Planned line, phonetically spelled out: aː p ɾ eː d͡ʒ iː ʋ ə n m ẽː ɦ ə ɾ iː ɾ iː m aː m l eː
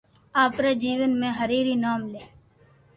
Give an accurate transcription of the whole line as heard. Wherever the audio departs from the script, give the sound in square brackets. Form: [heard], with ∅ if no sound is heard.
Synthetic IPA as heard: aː p ɾ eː d͡ʒ iː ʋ ə n m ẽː ɦ ə ɾ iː ɾ iː [n] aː m l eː